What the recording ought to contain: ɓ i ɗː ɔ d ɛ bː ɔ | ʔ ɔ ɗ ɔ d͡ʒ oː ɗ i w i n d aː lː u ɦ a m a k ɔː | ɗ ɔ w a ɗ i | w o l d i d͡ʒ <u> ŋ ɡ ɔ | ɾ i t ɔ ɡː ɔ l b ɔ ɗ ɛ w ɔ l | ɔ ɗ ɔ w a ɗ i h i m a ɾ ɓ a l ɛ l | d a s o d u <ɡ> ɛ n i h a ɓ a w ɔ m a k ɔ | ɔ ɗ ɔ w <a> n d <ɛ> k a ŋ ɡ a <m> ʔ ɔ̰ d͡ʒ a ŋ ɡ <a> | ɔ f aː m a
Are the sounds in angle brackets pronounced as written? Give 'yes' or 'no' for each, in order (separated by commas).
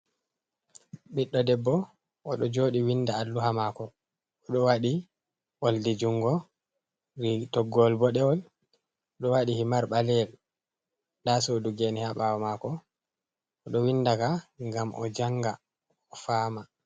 yes, yes, no, no, yes, yes